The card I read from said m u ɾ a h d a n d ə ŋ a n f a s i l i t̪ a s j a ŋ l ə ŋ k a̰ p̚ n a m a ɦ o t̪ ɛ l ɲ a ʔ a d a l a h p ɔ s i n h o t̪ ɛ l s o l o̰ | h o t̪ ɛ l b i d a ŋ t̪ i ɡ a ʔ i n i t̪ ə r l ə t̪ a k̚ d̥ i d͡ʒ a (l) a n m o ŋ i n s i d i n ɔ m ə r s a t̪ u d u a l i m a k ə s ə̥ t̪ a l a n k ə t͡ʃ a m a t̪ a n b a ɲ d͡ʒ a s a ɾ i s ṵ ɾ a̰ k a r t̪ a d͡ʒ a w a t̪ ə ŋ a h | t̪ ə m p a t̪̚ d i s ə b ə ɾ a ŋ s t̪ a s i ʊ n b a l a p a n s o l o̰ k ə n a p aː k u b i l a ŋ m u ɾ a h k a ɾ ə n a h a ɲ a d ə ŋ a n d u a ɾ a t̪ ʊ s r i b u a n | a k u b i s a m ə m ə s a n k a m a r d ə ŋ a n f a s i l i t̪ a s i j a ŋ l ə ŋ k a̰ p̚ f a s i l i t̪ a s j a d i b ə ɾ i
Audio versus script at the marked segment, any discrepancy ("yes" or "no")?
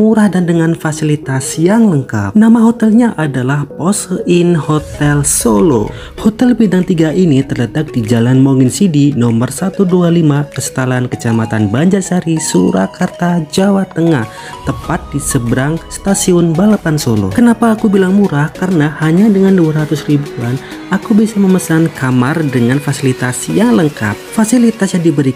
no